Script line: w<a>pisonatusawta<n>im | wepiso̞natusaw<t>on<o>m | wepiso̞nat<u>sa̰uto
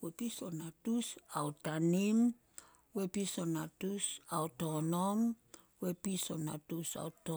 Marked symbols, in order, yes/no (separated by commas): no, yes, yes, yes, yes